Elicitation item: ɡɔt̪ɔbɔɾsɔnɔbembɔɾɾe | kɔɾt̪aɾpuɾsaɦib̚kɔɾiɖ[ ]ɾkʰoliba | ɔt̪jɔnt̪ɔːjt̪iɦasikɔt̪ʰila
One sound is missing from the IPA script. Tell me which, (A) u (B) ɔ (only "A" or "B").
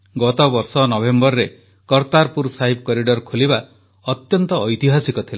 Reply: B